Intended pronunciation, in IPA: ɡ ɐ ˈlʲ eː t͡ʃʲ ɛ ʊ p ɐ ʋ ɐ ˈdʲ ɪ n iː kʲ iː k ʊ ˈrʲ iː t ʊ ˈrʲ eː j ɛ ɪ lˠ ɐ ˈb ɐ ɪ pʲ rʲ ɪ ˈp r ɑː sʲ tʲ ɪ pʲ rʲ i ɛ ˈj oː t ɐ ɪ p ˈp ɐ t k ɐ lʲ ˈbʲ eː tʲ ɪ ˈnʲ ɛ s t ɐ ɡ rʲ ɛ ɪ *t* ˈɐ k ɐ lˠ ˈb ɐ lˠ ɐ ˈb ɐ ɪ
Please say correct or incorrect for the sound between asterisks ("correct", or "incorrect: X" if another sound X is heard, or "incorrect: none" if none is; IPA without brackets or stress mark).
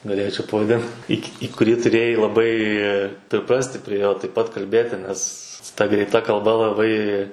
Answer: correct